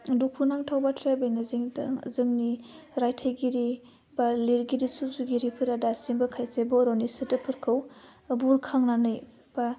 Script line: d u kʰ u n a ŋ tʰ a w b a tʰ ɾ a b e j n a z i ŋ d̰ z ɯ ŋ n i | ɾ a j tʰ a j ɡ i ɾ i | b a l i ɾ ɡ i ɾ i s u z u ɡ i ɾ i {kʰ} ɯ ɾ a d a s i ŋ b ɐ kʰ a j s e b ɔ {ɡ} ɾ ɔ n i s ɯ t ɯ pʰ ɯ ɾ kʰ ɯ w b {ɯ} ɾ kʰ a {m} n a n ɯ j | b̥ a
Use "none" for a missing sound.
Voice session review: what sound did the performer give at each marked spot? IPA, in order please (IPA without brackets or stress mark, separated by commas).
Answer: pʰ, none, u, ŋ